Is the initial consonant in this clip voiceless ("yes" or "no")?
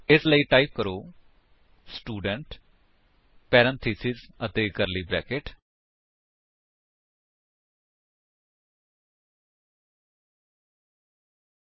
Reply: yes